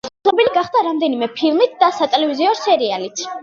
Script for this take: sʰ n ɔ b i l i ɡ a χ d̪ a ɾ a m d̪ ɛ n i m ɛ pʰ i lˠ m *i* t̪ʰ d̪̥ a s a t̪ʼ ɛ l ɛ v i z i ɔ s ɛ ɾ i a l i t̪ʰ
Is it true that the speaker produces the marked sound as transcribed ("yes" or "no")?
yes